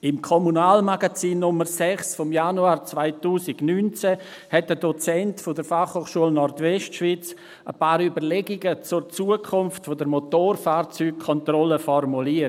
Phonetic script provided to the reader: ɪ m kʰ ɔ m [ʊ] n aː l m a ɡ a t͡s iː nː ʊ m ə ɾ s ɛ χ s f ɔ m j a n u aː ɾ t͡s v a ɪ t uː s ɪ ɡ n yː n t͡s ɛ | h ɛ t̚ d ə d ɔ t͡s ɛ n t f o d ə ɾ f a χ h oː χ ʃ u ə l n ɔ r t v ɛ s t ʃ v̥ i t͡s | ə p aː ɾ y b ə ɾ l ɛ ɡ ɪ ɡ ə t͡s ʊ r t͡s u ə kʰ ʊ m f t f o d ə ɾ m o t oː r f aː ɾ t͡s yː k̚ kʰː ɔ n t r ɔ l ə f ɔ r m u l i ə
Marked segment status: incorrect: u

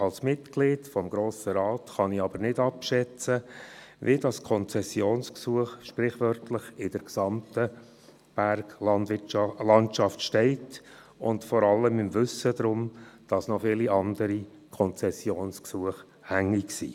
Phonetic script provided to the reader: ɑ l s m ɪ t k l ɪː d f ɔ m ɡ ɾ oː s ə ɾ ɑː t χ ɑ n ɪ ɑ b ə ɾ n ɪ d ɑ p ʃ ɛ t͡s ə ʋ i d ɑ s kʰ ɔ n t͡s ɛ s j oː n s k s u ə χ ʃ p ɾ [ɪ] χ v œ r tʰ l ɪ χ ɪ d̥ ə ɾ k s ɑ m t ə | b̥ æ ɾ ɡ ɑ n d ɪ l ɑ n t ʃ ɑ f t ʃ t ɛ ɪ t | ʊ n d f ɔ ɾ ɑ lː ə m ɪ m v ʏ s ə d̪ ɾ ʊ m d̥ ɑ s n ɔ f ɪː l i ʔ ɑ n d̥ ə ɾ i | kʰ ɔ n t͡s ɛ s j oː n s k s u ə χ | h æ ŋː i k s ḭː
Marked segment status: correct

